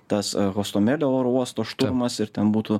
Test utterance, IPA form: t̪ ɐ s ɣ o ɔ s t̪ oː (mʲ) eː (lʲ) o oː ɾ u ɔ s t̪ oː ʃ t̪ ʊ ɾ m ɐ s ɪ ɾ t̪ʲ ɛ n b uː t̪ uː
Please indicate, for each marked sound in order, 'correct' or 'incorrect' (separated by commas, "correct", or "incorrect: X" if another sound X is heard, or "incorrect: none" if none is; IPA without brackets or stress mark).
correct, correct